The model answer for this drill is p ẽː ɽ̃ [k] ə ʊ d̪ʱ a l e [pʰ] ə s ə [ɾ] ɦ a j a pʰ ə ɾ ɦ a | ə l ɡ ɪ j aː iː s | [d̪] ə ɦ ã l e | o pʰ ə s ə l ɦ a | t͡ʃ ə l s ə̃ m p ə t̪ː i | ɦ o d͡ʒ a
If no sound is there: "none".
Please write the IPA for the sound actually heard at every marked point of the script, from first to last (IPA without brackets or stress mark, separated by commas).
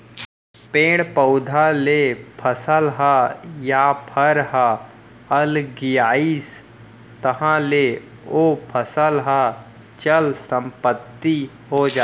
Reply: p, pʰ, l, t̪